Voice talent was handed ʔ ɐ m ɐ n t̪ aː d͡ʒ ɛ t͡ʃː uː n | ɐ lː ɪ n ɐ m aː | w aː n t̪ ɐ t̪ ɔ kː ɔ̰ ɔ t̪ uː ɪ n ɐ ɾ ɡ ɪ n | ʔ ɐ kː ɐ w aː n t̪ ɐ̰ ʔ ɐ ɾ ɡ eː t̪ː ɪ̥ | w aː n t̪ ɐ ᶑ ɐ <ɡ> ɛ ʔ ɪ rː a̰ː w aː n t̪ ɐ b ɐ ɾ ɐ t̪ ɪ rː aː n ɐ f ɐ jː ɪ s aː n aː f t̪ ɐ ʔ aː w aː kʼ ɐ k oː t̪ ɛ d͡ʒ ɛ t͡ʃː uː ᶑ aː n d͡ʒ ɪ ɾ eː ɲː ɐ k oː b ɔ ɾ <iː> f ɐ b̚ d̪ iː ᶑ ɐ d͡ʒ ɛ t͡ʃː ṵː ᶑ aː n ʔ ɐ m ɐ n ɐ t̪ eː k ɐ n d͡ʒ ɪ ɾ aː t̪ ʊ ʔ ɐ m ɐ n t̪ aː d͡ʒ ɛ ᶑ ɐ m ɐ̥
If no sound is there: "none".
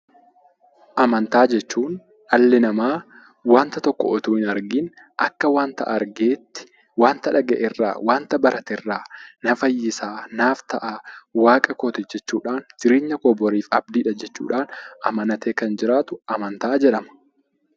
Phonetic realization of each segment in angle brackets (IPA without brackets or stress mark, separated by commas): ɡ, iː